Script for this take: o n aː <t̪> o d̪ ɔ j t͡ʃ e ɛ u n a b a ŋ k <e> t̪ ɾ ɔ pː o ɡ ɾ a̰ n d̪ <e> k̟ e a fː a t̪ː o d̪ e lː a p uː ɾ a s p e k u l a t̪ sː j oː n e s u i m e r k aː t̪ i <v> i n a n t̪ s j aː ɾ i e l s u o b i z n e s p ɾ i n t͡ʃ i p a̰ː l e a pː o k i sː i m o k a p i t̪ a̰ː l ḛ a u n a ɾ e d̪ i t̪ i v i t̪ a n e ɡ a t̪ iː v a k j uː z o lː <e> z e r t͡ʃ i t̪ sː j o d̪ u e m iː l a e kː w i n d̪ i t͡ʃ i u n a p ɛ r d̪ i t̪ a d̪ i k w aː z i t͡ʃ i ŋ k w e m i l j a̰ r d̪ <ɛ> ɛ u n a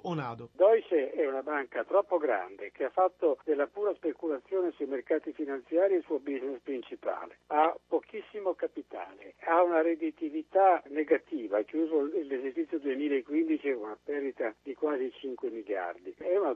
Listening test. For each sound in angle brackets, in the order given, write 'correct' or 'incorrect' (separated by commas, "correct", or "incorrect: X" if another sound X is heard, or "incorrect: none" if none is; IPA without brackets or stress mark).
incorrect: d̪, incorrect: a, correct, incorrect: f, correct, incorrect: i